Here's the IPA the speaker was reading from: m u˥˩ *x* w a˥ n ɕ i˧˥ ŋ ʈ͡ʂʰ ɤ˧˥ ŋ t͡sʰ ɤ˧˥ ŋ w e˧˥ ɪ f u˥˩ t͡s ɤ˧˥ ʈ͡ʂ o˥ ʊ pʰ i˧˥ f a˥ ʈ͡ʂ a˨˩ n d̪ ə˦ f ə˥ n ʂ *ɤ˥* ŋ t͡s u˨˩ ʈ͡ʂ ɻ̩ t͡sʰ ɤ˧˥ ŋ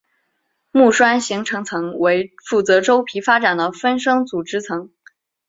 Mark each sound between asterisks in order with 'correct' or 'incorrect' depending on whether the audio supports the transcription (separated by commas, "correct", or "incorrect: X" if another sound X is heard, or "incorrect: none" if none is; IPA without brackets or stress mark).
incorrect: ʂ, correct